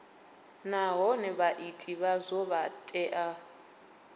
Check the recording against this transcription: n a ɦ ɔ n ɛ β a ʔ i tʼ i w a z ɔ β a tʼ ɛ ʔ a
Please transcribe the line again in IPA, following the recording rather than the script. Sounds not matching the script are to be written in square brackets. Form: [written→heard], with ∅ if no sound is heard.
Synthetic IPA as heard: n a ɦ ɔ n ɛ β a ʔ i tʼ i [w→β] a z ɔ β a tʼ ɛ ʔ a